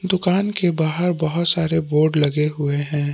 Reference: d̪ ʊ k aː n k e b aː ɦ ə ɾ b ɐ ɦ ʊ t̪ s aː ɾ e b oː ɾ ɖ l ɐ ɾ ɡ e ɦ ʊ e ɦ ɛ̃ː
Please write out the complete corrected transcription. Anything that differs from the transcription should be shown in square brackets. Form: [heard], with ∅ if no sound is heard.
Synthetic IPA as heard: d̪ ʊ k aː n k e b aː ɦ ə ɾ b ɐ ɦ ʊ t̪ s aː ɾ e b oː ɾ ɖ l ɐ [∅] ɡ e ɦ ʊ e ɦ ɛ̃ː